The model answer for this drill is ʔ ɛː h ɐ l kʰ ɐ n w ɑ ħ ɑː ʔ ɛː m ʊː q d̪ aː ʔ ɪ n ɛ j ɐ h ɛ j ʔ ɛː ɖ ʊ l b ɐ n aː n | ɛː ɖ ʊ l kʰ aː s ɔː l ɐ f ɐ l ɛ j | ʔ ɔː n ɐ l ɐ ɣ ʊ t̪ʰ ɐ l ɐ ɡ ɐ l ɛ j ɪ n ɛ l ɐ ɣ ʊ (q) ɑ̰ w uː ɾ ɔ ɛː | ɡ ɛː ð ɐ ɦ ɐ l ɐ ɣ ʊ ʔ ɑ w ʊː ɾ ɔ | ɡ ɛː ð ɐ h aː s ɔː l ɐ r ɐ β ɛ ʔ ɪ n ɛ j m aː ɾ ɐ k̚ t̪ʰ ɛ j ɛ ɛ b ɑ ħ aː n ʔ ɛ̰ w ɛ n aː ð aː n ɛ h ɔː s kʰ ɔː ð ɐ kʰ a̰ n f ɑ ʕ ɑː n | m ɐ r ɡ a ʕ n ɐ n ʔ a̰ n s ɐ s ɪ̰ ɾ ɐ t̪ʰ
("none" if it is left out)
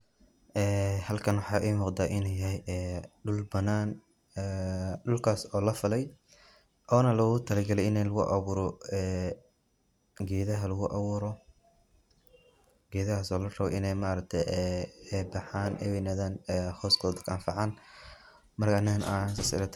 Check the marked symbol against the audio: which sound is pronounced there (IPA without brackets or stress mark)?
ʔ